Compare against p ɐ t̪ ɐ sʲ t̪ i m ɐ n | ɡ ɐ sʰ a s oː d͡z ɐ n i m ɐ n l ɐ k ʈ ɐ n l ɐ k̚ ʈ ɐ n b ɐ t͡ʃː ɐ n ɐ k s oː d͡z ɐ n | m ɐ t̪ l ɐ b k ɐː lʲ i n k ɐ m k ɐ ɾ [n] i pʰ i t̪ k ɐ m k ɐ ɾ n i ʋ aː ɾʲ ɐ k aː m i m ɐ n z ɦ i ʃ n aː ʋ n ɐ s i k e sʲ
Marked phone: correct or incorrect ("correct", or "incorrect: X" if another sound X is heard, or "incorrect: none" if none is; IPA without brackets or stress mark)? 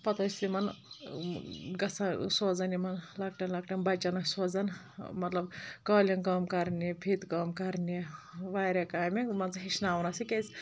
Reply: correct